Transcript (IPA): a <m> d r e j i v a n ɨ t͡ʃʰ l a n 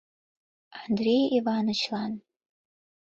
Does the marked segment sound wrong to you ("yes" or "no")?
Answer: yes